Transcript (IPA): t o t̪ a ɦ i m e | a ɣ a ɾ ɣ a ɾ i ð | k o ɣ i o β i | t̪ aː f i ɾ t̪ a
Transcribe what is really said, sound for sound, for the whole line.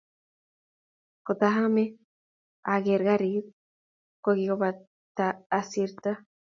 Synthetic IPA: k o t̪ a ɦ a m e | a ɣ e ɾ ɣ a ɾ i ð | k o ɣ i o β a | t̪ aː s i ɾ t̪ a

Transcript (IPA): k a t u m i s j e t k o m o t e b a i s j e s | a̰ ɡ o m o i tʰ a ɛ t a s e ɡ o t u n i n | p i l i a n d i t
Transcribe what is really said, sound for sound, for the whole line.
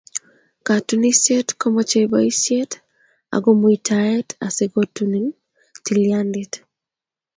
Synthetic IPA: k a t u n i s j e t k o m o t͡ʃ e b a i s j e t | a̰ ɡ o m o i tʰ a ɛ t a s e ɡ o t u n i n | t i l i a n d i t

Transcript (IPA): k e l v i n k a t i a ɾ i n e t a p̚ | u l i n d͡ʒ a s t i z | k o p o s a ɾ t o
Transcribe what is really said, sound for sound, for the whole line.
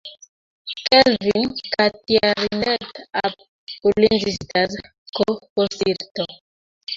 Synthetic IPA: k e l v i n k a t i a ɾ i n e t a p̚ | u l i n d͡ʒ i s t a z | k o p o s i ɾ t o

